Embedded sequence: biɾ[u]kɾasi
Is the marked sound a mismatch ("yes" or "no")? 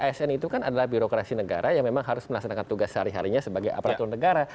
yes